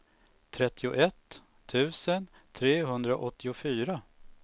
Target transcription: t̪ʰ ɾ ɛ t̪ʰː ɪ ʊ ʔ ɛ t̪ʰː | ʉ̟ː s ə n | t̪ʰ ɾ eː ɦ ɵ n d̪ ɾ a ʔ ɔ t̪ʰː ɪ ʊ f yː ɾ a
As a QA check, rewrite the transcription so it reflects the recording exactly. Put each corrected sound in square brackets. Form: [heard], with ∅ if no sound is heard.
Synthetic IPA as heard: t̪ʰ ɾ ɛ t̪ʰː ɪ ʊ ʔ ɛ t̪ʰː | ʉ̟ː s ə n | t̪ʰ ɾ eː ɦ ɵ n d̪ ɾ a ʔ ɔ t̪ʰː ɪ ʊ f yː ɾ a